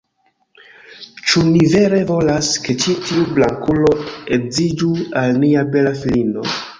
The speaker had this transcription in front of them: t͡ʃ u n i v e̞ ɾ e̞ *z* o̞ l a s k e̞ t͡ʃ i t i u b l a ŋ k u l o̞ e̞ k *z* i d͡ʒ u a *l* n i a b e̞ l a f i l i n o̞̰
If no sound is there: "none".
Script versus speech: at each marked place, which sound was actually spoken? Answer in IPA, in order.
v, z, l

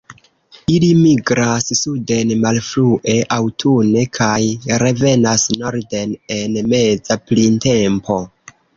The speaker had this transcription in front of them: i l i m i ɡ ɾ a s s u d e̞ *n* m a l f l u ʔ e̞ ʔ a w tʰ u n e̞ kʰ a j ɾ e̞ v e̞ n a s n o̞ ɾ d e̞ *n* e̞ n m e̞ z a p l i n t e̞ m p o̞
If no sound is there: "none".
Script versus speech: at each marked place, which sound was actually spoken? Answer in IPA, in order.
n, n

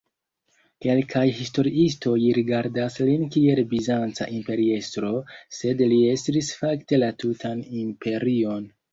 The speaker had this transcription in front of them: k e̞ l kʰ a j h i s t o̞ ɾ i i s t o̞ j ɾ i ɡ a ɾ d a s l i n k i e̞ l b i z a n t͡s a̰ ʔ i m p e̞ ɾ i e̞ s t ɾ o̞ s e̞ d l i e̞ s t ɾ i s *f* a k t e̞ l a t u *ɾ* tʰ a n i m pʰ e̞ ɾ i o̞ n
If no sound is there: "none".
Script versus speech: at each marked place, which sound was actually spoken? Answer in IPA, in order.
f, none

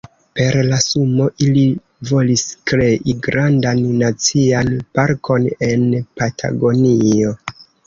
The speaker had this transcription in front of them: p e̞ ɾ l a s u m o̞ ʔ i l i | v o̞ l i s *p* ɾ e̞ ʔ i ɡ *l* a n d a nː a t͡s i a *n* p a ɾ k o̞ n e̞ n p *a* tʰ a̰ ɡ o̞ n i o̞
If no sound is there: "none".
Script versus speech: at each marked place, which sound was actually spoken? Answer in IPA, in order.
k, ɾ, n, a

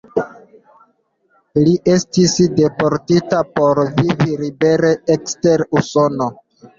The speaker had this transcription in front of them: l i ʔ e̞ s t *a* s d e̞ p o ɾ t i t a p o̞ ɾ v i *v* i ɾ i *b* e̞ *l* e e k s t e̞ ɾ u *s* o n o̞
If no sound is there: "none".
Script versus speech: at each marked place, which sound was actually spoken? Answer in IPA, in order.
i, v, b, ɾ, s

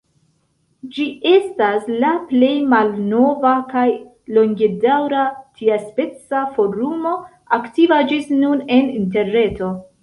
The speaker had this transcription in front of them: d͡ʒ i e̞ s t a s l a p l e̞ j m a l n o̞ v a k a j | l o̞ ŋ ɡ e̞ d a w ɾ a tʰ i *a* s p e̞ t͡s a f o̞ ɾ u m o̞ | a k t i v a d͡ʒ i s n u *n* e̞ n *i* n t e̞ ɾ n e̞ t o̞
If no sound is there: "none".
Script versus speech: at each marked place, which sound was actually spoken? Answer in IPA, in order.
a, n, i

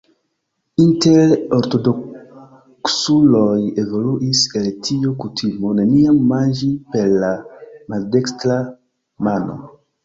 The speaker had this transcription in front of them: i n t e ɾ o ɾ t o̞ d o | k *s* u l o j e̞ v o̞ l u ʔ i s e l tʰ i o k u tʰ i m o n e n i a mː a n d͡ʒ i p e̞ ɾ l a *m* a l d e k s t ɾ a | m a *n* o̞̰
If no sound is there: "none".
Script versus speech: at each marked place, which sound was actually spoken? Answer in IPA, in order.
s, m, n

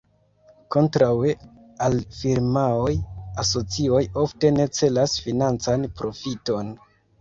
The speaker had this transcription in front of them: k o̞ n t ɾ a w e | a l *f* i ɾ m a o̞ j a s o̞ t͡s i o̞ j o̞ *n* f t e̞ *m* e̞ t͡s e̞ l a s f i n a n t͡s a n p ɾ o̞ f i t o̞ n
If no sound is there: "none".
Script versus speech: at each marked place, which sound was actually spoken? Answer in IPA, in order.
f, none, n

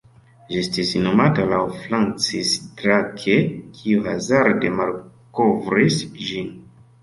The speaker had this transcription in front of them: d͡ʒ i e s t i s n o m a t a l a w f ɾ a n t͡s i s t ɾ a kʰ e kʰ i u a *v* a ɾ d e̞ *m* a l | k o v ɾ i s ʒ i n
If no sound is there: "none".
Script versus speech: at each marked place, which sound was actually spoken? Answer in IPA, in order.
z, m

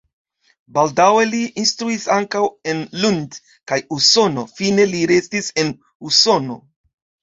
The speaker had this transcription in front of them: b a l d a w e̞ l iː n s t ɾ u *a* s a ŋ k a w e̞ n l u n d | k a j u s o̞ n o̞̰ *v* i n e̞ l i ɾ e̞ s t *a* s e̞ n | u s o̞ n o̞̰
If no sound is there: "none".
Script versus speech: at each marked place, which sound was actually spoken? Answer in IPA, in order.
i, f, i

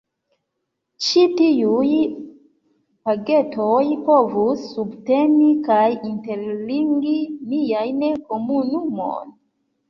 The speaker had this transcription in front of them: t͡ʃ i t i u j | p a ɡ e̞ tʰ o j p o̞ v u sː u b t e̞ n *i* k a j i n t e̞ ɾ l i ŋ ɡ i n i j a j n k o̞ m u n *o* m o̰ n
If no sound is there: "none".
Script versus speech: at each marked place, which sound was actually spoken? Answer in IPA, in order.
i, u

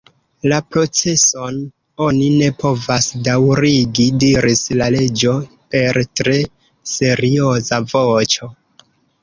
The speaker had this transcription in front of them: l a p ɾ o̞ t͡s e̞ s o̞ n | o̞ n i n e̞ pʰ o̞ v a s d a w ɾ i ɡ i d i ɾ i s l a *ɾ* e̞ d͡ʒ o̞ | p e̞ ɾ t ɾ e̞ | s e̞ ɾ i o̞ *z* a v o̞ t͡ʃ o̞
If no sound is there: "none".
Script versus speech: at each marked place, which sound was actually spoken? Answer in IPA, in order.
l, z

